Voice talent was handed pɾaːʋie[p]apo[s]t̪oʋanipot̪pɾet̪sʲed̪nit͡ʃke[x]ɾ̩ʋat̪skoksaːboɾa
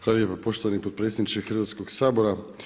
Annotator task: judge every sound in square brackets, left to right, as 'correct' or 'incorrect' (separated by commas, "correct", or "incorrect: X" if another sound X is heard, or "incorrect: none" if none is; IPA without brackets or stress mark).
correct, incorrect: ʃ, correct